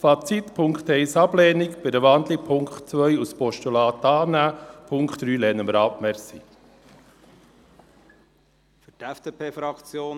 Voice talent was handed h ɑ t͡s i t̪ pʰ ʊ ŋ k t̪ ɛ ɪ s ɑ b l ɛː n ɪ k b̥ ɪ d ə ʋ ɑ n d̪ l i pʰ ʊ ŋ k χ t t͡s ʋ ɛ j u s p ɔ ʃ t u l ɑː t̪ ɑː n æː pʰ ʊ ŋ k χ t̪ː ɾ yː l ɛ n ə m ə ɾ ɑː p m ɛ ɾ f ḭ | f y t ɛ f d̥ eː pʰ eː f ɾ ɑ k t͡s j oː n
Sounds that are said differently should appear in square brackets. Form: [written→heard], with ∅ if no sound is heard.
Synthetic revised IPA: [h→f] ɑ t͡s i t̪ pʰ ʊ ŋ k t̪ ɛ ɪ s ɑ b l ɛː n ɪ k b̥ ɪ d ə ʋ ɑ n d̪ l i pʰ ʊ ŋ k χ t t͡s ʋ [ɛ→œ] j u s p ɔ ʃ t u l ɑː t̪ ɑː n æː pʰ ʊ ŋ k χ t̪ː ɾ yː l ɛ n ə m ə ɾ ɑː p m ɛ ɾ [f→s] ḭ | f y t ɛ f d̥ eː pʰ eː f ɾ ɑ k t͡s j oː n